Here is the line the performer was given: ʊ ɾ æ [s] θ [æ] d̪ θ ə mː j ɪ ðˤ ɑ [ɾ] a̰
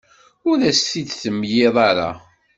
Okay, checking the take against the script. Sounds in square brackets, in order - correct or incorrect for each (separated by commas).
correct, incorrect, correct